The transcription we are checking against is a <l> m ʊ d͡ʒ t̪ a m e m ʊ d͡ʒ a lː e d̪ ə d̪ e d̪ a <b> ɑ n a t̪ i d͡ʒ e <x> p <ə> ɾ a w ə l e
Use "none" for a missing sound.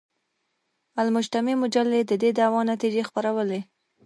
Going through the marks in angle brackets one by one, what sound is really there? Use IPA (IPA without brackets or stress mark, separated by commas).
l, w, x, a